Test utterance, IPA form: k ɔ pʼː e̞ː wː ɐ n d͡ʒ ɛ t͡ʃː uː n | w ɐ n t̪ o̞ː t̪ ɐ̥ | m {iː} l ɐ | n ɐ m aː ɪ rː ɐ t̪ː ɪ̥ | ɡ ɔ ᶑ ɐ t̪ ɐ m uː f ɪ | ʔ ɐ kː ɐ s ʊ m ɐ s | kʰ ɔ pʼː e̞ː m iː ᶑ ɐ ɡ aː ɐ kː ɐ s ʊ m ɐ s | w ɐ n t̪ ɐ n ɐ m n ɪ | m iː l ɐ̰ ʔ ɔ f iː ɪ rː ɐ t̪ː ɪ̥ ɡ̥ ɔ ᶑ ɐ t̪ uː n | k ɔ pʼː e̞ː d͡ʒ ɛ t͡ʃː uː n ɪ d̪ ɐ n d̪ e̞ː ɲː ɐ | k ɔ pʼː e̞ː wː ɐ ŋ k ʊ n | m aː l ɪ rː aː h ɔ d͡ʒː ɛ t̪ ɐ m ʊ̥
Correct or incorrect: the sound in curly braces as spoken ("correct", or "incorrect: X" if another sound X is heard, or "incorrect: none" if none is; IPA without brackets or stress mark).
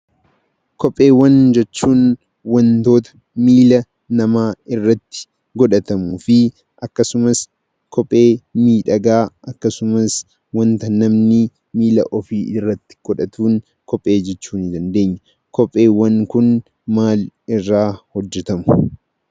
correct